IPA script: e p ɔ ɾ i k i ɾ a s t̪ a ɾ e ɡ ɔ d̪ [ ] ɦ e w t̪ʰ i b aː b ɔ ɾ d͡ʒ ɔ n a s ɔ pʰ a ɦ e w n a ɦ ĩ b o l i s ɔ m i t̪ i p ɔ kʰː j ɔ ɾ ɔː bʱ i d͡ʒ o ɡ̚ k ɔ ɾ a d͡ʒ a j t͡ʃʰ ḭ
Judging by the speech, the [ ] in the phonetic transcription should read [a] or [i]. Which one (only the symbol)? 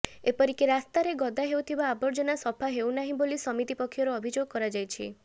a